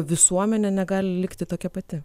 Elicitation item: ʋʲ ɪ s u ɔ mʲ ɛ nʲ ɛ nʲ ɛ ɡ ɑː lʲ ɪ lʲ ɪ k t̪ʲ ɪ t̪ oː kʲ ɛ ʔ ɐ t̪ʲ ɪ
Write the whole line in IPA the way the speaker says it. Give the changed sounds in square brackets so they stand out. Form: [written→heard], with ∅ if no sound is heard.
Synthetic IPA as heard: ʋʲ ɪ s u ɔ mʲ ɛ nʲ ɛ nʲ ɛ ɡ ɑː lʲ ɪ lʲ ɪ k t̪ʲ ɪ t̪ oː kʲ ɛ [ʔ→p] ɐ t̪ʲ ɪ